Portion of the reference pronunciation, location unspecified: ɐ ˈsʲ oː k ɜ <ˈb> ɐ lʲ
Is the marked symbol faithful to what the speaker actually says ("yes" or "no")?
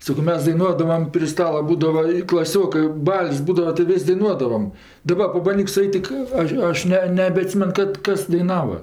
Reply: yes